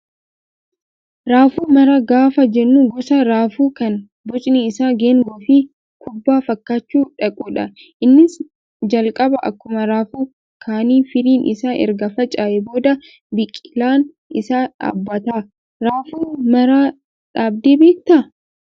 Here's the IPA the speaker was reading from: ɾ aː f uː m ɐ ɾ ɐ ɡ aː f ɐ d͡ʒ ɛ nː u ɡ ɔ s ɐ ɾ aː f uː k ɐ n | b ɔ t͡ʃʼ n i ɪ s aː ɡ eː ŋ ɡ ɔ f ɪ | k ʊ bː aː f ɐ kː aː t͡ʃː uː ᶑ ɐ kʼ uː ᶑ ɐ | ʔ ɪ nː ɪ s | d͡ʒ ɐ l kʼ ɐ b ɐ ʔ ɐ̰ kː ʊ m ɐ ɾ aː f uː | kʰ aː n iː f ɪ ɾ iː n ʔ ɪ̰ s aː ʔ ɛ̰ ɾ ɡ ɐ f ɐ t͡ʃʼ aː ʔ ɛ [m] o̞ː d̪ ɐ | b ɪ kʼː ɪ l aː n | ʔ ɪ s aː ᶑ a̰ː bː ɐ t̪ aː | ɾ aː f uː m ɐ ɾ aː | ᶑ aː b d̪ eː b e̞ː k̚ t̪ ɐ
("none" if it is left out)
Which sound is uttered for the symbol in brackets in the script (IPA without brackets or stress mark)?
b